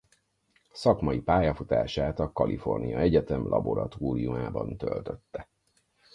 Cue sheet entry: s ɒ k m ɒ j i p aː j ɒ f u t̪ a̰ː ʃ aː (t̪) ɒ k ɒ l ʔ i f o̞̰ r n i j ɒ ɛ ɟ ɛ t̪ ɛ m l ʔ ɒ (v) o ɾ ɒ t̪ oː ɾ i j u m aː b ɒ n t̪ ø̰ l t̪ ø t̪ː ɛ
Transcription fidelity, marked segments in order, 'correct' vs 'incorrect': correct, incorrect

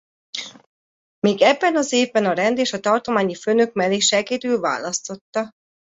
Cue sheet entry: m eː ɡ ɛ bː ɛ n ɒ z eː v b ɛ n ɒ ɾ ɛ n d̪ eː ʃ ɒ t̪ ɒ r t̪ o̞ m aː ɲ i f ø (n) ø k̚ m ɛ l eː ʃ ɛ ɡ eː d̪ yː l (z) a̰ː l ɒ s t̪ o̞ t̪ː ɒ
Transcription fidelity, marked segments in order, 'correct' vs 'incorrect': correct, incorrect

